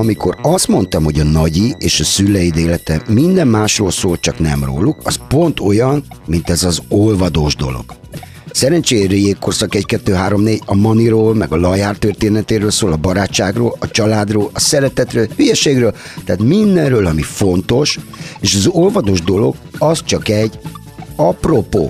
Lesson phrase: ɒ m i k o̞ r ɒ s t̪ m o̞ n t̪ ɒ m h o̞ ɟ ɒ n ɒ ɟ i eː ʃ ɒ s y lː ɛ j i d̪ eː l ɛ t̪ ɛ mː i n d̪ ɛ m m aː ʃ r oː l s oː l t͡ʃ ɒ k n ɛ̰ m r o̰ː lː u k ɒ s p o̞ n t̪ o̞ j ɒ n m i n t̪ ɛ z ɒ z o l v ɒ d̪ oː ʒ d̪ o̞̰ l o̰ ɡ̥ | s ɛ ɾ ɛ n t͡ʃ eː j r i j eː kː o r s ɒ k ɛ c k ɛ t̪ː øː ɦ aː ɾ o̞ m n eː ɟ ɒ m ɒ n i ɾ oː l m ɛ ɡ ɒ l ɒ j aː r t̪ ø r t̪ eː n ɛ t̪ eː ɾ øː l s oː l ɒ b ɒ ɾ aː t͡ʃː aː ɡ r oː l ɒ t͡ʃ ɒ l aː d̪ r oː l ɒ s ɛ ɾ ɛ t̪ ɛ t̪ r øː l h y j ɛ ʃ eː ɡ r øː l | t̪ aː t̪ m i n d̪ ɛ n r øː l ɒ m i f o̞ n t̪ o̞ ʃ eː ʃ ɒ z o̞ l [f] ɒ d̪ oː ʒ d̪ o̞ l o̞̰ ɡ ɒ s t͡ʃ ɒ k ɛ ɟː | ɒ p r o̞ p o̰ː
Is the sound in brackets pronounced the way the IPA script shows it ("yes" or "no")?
no